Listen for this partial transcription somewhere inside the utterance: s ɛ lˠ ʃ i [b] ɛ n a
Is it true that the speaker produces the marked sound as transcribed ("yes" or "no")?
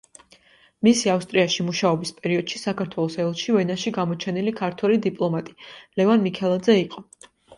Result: no